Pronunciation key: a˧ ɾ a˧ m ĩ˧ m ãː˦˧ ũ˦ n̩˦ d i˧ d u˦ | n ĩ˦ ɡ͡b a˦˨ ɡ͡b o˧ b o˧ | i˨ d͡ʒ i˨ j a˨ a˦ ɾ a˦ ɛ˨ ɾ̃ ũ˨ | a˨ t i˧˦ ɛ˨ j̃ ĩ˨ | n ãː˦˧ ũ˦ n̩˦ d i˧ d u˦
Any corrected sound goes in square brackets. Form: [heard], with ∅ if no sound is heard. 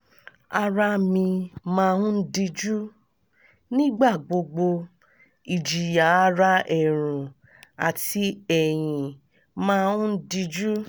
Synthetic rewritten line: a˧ ɾ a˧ m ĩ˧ m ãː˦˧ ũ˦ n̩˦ d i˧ [d͡ʒ] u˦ | n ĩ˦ ɡ͡b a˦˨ ɡ͡b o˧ [ɡ͡b] o˧ | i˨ d͡ʒ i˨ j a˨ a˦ ɾ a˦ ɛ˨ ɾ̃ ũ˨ | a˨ t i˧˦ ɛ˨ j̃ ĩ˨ | [m] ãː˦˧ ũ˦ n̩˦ d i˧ [d͡ʒ] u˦